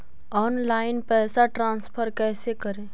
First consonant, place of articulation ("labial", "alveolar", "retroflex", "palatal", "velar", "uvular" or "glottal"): alveolar